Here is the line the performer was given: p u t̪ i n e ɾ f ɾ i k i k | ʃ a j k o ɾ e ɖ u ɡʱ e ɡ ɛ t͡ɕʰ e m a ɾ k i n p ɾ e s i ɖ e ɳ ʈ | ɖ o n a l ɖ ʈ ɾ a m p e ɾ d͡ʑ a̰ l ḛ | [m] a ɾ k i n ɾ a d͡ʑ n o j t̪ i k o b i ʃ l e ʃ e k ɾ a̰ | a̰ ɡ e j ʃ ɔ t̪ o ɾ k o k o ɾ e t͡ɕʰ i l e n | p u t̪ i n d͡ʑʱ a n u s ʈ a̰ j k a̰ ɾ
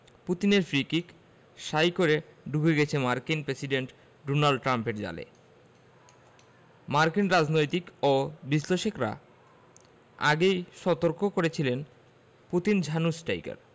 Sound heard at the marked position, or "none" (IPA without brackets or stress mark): m